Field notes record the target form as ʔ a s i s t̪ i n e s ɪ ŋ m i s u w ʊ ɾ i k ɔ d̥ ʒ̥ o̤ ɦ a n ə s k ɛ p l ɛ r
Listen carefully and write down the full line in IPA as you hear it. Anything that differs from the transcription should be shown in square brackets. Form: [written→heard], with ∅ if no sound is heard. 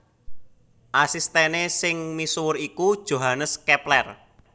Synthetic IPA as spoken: ʔ a s i s t̪ [i→e] n e s ɪ ŋ m i s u w ʊ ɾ i k [ɔ→u] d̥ ʒ̥ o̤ ɦ a n ə s k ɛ p l ɛ r